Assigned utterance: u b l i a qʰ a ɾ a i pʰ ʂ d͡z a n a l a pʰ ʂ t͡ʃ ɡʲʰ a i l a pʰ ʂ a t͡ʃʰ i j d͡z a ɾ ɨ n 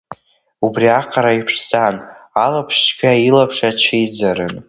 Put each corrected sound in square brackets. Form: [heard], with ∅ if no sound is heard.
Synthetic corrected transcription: u b [r] i a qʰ a ɾ a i pʰ ʂ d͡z a n a l a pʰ ʂ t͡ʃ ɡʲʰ a i l a pʰ ʂ a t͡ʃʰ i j d͡z a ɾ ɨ n